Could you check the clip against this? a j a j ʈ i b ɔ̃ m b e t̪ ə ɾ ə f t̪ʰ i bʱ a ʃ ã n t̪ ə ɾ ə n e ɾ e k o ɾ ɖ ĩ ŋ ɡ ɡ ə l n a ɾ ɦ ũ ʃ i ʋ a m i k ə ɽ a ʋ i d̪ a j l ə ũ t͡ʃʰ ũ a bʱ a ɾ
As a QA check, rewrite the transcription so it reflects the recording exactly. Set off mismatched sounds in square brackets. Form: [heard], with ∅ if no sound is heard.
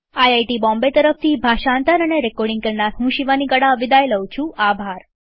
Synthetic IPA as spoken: a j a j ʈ i b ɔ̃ m b e t̪ ə ɾ ə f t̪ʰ i bʱ a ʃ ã n t̪ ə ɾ ə n e ɾ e k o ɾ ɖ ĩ ŋ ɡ [k] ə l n a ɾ ɦ ũ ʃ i ʋ a [n] i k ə ɽ a ʋ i d̪ a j l ə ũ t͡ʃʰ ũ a bʱ a ɾ